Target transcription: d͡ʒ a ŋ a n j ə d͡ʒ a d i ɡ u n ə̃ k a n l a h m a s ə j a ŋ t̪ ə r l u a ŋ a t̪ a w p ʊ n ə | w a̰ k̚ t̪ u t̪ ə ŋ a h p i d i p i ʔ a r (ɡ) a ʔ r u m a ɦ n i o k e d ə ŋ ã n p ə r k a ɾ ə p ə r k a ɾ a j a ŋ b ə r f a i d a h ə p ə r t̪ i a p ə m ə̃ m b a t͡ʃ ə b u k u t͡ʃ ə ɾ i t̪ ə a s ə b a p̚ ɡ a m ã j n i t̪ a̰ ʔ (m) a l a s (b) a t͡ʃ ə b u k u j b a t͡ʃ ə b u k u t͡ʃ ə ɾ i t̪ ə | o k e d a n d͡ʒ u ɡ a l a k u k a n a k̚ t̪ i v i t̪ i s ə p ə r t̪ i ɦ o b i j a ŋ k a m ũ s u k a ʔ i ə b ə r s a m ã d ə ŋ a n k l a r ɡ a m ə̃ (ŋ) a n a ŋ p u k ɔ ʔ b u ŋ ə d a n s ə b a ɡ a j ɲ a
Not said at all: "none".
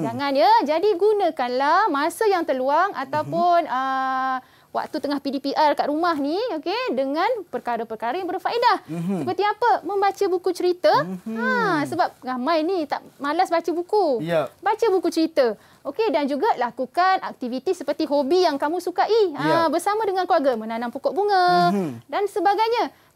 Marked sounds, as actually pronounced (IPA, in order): k, m, b, n

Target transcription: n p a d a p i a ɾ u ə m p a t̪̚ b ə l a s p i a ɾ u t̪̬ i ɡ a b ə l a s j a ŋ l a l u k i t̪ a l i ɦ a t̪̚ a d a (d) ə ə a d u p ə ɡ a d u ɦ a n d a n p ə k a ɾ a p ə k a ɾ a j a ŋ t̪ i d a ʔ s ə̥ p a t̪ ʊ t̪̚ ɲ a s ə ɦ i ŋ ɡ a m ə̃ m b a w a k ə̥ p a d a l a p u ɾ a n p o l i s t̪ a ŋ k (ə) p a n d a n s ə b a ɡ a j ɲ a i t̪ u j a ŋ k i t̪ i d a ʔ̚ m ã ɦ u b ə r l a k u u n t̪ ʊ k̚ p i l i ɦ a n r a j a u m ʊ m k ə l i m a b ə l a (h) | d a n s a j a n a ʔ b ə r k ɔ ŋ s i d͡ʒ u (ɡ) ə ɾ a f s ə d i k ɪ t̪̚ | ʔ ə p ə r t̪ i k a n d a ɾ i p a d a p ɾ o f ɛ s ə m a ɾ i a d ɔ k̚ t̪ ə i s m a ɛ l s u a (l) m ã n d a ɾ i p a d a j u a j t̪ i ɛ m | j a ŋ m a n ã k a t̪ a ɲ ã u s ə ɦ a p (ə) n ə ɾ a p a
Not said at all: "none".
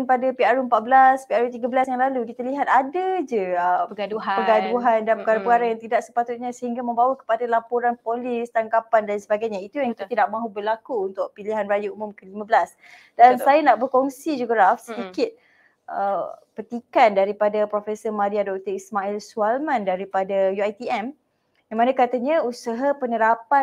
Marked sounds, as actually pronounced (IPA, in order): d͡ʒ, a, s, ɡ, l, ə

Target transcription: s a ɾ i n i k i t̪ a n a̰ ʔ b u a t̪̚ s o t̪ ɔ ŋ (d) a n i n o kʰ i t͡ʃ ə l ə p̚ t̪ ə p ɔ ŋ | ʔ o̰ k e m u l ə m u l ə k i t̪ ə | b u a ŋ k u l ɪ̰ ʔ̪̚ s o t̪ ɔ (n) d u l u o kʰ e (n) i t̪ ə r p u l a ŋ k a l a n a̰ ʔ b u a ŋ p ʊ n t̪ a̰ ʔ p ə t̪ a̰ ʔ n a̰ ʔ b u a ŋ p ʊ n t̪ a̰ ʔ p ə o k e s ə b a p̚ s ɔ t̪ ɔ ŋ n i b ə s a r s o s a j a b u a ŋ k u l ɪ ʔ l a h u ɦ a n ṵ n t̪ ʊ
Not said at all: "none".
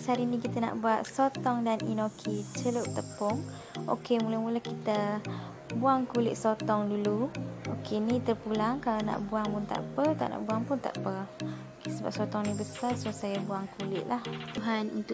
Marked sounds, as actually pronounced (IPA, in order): d, ŋ, n

